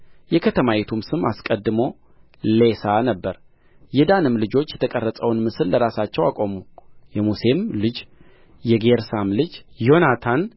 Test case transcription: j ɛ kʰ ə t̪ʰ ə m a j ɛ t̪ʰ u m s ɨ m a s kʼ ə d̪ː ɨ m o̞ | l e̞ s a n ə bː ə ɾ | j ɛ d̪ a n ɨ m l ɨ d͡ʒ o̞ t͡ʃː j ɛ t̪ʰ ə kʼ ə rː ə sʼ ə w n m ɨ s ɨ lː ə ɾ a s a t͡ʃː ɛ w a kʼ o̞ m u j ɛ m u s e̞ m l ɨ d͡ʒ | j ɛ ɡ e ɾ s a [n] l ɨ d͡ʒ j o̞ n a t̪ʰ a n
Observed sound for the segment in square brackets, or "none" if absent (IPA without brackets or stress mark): m